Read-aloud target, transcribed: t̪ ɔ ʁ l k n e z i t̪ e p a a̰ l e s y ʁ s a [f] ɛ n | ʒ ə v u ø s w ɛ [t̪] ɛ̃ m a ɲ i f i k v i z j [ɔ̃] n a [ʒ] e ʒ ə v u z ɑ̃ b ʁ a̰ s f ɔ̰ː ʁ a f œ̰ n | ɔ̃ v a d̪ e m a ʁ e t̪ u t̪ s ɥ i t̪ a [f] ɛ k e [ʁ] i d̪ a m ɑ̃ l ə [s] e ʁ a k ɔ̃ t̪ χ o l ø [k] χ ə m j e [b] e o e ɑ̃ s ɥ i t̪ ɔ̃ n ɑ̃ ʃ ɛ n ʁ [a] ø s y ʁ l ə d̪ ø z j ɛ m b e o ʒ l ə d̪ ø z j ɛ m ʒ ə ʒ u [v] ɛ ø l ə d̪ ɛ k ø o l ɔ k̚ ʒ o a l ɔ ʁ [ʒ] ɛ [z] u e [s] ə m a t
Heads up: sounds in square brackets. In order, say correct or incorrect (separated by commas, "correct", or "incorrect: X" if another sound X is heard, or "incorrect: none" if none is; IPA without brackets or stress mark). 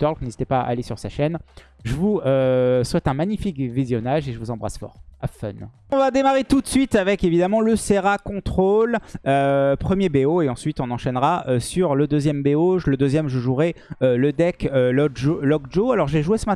incorrect: ʃ, correct, incorrect: ɔ, correct, incorrect: v, incorrect: v, correct, incorrect: p, correct, correct, incorrect: ʁ, correct, incorrect: ʒ, correct